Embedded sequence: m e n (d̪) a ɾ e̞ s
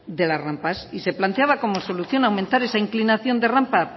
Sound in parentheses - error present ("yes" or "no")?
yes